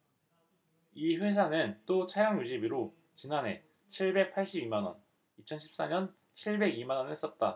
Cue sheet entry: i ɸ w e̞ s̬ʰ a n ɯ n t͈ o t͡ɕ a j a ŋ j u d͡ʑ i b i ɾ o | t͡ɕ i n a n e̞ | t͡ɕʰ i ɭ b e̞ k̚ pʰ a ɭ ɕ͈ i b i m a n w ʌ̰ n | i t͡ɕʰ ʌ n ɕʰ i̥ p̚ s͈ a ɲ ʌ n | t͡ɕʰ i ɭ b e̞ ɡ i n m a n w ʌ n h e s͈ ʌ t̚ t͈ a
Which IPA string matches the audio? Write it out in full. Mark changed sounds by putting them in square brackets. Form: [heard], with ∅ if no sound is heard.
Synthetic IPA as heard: i ɸ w e̞ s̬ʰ a n ɯ n t͈ o [t͡ɕʰ] a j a ŋ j u d͡ʑ i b i ɾ o | t͡ɕ i n a n e̞ | t͡ɕʰ i ɭ b e̞ k̚ pʰ a ɭ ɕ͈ i b i m a n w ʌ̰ n | i t͡ɕʰ ʌ n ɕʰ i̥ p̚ s͈ a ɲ ʌ n | t͡ɕʰ i ɭ b e̞ ɡ i [∅] m a n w ʌ n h e s͈ ʌ t̚ t͈ a